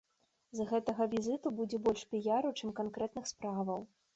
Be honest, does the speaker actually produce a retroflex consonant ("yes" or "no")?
yes